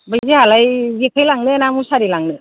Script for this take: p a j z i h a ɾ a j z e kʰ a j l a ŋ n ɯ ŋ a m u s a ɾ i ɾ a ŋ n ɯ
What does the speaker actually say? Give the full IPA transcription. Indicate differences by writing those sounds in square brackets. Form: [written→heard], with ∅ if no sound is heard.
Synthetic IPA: [p→b] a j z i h a [ɾ→l] a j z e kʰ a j l a ŋ n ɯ [ŋ→n] a m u s a ɾ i [ɾ→l] a ŋ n ɯ